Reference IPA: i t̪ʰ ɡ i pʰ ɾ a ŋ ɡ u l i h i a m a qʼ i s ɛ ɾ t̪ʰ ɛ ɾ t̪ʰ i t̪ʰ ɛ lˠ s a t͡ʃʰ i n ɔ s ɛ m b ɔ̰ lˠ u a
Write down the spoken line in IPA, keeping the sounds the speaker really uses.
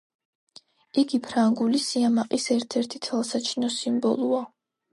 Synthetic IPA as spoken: i ɡ i pʰ ɾ a ŋ ɡ u l i s i a m a qʼ i s ɛ ɾ t̪ʰ ɛ ɾ t̪ʰ i t̪ʰ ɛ lˠ s a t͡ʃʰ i n ɔ s i m b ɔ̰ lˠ u a